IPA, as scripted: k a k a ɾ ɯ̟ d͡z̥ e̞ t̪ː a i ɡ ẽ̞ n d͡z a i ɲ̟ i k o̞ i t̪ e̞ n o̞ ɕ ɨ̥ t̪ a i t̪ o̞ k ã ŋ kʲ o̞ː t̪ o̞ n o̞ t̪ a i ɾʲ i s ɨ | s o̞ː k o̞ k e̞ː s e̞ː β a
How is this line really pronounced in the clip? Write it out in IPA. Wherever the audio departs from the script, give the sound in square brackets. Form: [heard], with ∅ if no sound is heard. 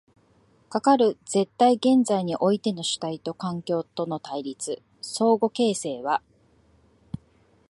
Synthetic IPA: k a k a ɾ ɯ̟ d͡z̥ e̞ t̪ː a i ɡ ẽ̞ n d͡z a i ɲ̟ i [ʔ] o̞ i t̪ e̞ n o̞ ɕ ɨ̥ t̪ a i t̪ o̞ k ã ŋ kʲ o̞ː t̪ o̞ n o̞ t̪ a i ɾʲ i [t͡s] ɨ | s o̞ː [ɡ] o̞ k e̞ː s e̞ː β a